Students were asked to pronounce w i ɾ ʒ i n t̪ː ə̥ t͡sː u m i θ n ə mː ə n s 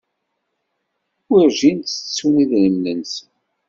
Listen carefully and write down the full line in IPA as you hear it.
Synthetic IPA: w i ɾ ʒ i n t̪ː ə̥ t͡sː u n i ð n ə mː ə n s